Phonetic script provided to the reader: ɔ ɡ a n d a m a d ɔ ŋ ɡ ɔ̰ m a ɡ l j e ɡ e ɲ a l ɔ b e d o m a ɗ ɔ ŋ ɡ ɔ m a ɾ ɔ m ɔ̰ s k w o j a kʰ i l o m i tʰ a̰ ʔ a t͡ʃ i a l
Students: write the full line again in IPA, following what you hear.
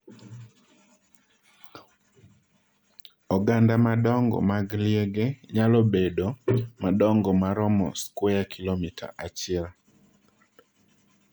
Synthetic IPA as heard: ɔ ɡ a n d a m a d ɔ ŋ ɡ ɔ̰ m a ɡ l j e ɡ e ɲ a l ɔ b e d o m a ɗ ɔ ŋ ɡ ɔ m a ɾ ɔ m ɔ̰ s k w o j a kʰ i l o m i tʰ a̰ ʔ a t͡ʃ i ɛ l